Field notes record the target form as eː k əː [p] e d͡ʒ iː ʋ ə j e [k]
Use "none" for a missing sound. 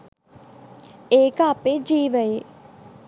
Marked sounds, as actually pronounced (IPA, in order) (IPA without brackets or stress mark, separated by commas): p, none